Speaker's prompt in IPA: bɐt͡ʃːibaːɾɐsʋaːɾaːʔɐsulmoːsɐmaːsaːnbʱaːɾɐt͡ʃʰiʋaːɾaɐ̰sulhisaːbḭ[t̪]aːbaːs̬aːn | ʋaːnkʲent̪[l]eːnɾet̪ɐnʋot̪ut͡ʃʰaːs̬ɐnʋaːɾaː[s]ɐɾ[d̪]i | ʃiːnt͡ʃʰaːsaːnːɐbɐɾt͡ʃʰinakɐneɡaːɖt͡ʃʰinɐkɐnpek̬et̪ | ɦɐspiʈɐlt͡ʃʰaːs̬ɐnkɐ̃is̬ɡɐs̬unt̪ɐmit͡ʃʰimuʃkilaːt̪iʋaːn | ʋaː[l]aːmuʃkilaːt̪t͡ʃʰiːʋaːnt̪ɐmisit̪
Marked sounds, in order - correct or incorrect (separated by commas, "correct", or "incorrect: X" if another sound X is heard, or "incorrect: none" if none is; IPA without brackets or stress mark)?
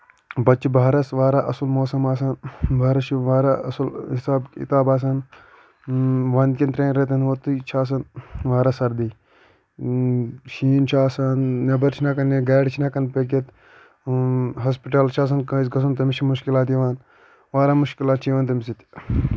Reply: correct, incorrect: ɾ, correct, correct, incorrect: ɾ